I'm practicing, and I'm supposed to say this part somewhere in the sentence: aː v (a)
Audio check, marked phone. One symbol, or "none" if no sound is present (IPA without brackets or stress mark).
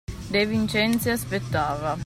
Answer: a